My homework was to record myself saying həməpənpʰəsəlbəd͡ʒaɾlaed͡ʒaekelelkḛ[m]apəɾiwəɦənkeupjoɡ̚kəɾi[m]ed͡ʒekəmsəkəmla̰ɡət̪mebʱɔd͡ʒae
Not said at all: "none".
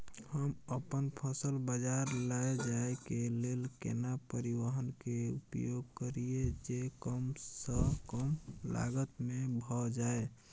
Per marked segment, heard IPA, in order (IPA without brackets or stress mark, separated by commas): n, none